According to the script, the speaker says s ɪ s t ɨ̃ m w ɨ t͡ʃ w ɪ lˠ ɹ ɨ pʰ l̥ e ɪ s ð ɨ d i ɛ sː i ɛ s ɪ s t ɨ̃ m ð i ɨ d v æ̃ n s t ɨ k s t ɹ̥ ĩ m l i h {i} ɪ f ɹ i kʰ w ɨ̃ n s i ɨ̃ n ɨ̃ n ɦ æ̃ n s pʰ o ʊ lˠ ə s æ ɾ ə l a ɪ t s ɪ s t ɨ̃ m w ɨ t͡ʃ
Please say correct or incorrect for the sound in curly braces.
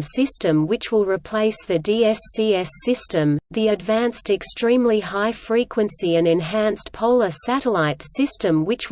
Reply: incorrect